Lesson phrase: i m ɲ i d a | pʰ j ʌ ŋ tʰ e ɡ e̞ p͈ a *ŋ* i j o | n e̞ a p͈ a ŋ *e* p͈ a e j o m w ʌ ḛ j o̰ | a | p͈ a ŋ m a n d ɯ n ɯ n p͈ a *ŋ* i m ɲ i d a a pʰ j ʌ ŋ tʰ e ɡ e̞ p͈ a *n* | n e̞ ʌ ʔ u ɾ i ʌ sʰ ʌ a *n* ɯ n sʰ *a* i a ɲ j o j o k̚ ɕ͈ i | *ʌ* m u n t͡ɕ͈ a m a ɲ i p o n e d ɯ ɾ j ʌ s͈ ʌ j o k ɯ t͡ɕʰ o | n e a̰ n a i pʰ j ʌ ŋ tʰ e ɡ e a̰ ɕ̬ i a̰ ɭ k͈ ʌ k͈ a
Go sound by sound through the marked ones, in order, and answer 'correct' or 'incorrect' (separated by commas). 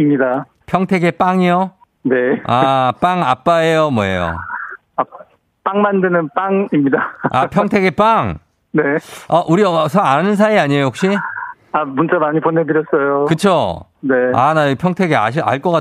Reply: correct, incorrect, correct, incorrect, correct, correct, incorrect